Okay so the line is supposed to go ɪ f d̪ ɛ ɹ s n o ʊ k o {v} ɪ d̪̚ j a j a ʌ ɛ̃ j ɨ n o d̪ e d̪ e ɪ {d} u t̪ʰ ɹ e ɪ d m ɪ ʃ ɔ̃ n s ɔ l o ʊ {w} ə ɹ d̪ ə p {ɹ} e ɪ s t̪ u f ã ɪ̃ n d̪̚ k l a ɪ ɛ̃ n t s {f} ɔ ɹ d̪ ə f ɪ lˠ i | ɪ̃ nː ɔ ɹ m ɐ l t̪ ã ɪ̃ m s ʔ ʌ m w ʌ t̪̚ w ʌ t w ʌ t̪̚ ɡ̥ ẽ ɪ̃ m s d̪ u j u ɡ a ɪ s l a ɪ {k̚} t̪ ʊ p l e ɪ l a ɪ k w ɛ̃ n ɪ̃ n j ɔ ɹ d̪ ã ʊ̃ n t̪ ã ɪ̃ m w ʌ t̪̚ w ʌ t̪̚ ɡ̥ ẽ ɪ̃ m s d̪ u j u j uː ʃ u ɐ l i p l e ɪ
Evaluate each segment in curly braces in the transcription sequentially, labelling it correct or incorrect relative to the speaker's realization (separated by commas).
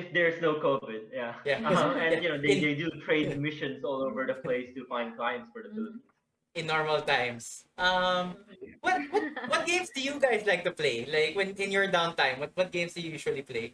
correct, correct, incorrect, incorrect, correct, correct